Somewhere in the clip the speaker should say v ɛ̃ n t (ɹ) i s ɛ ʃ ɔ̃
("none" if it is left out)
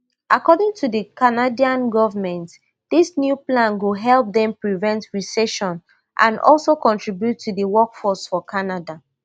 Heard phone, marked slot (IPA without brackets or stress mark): ɹ